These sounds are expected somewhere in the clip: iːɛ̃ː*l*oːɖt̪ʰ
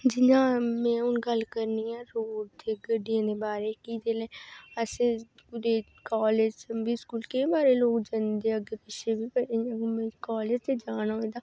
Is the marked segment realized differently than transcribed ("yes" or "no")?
yes